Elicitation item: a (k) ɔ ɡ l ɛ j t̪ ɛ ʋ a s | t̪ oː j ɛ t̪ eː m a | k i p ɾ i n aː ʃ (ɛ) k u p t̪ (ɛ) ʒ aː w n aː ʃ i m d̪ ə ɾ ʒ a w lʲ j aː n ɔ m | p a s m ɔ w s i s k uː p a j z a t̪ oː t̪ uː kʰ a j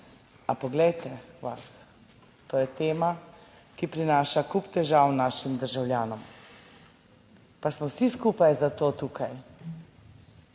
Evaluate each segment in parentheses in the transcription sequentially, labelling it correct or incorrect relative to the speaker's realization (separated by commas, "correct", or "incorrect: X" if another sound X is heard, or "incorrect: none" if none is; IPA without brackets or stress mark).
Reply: incorrect: p, incorrect: a, correct